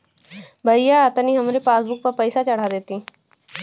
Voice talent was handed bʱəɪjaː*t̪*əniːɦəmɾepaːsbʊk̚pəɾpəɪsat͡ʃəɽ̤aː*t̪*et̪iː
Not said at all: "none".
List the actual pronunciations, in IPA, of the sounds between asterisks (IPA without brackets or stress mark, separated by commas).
t̪, d̪